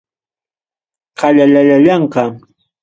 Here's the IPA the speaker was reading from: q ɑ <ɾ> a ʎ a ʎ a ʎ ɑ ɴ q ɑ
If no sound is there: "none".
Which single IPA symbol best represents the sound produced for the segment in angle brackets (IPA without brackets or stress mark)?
ʎ